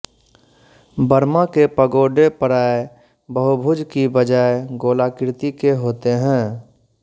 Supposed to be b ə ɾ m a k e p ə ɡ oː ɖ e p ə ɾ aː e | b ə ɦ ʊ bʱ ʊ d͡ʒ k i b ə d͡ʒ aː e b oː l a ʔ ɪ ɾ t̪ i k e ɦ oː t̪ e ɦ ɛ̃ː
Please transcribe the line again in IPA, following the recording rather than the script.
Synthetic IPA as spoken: b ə ɾ m a k e p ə ɡ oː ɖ e p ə ɾ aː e | b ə ɦ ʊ bʱ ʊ d͡ʒ k i b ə d͡ʒ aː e ɡ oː l a k ɪ ɾ t̪ i k e ɦ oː t̪ e ɦ ɛ̃ː